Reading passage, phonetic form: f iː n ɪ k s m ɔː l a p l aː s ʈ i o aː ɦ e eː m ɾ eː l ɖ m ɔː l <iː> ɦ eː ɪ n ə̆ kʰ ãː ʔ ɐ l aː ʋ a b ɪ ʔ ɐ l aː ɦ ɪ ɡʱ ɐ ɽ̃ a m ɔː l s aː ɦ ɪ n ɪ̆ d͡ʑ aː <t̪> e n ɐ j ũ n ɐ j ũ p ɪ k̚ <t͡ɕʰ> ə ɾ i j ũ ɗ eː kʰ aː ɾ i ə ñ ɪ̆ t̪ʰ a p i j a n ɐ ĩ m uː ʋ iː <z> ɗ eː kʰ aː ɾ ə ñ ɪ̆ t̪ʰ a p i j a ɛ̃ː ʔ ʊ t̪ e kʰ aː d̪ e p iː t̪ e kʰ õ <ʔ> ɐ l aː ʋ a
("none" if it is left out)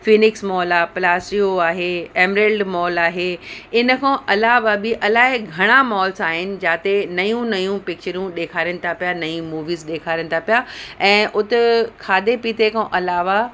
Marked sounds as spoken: aː, t̪, t͡ɕ, z, ʔ

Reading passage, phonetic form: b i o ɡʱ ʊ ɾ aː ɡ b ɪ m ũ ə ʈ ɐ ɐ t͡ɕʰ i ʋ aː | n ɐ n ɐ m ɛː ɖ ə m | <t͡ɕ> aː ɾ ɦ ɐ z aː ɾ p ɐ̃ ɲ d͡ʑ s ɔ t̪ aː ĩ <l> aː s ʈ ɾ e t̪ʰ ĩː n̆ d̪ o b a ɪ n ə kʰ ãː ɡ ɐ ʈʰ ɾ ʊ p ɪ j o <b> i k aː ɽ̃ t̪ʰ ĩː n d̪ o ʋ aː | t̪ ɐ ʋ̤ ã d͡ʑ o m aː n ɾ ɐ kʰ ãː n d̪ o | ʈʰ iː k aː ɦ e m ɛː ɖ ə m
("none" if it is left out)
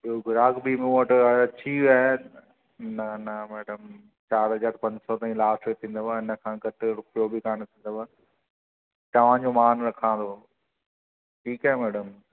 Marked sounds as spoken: t͡ɕ, l, b

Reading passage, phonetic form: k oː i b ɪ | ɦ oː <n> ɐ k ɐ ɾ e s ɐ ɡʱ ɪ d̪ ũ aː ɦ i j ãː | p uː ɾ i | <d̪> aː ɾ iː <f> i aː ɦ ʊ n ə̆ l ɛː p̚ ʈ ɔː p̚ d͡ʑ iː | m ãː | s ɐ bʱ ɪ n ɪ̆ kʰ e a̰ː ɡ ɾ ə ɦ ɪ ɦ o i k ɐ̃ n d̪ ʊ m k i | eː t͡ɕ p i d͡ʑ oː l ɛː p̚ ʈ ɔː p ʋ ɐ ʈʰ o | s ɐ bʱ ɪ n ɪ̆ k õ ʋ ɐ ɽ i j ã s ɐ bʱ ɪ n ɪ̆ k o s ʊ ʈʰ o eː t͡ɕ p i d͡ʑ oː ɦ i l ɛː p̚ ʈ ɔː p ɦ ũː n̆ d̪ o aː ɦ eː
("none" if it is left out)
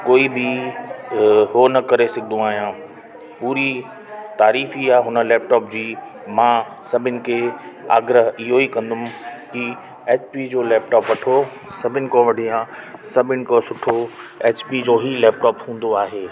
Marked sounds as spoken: n, t̪, f

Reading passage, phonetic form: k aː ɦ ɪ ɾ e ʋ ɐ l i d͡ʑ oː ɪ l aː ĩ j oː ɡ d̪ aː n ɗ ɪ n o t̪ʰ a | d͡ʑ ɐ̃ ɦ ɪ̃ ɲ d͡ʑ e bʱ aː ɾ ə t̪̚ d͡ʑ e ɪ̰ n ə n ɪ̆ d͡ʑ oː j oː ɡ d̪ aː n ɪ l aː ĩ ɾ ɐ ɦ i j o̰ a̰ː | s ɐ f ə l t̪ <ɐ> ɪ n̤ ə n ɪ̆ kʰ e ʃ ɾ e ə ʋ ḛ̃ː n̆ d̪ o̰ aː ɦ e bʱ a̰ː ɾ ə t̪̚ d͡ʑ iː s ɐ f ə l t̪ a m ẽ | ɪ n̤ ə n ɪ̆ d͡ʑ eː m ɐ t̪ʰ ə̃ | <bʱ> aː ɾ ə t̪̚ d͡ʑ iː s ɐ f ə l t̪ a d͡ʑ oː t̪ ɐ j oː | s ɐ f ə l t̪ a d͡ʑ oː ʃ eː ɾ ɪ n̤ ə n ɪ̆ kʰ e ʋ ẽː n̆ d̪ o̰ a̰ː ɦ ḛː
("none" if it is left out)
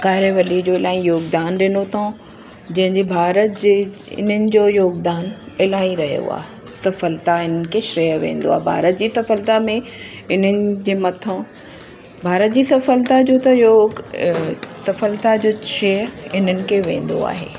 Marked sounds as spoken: a, bʱ

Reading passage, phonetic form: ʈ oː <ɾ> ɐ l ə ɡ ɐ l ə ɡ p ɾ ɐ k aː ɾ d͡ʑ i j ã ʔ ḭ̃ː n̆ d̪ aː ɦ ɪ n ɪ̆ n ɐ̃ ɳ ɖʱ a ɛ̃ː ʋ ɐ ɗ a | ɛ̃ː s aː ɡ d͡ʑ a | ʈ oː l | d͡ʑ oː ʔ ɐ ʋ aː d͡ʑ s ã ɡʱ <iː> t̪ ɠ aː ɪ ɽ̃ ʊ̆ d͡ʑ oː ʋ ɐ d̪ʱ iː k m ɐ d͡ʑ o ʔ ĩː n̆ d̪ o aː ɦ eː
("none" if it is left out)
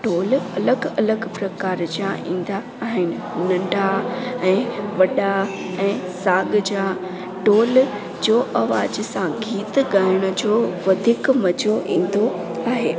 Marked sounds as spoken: l, iː

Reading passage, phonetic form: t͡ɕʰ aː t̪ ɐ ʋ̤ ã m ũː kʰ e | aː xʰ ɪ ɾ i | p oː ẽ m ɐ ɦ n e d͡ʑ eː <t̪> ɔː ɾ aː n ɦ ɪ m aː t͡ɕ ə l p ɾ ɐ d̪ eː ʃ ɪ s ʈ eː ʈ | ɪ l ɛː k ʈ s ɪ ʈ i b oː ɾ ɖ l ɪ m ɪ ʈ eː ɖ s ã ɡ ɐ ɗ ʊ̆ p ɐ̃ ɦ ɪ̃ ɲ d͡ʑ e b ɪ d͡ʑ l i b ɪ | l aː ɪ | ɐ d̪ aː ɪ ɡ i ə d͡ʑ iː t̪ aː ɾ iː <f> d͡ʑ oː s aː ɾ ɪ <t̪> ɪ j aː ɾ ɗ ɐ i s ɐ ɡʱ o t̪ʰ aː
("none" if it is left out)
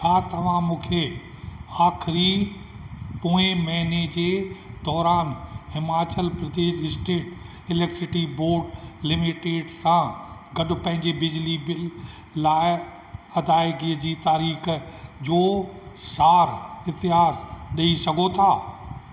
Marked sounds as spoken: d̪, x, t̪

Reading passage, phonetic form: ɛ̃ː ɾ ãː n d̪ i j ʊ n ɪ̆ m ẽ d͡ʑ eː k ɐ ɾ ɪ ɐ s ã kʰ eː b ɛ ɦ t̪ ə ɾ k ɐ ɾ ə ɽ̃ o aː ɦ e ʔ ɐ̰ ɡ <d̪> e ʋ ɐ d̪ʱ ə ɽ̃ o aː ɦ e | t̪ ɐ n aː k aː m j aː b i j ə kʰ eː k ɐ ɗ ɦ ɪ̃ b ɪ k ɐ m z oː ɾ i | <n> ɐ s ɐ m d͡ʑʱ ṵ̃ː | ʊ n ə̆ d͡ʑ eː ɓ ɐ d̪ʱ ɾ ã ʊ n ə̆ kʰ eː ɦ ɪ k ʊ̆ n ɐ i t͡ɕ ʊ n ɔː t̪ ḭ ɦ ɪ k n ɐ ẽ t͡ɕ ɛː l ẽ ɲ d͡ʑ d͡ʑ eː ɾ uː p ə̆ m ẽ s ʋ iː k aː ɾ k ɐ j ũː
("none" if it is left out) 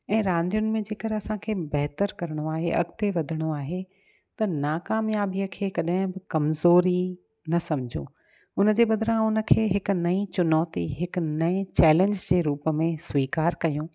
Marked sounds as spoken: t̪, n

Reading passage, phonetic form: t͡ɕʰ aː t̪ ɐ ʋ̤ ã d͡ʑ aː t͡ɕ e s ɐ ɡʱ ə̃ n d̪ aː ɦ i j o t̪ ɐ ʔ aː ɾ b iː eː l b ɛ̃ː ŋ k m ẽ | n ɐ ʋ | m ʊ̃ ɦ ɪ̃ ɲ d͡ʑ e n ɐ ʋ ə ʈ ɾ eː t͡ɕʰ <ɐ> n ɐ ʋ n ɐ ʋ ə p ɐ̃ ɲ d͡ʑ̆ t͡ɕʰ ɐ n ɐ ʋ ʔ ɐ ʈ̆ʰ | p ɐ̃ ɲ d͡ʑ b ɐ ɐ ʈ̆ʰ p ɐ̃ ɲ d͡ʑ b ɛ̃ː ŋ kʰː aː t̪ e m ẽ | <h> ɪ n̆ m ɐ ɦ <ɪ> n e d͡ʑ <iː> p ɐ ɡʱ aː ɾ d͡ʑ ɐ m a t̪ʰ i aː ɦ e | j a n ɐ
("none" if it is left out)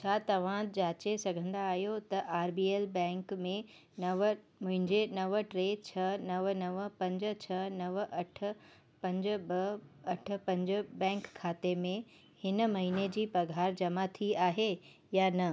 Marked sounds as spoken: ɐ, h, i, iː

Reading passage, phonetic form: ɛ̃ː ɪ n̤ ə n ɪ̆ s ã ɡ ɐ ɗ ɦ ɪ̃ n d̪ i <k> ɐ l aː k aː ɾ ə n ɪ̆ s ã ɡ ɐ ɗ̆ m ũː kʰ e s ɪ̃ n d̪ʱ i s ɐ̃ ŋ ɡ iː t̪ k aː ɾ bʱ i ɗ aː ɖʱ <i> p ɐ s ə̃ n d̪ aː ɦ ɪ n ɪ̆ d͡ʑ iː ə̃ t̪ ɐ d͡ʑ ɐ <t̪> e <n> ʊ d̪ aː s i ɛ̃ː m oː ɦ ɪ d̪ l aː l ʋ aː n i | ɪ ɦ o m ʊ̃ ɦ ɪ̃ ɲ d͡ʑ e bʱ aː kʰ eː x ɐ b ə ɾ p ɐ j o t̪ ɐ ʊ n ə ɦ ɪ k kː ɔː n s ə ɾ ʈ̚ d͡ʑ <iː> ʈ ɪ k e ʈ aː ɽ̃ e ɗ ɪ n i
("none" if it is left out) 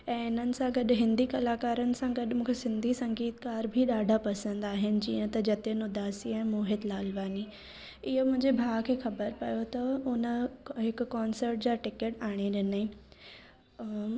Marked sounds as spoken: k, a, t̪, n, aː

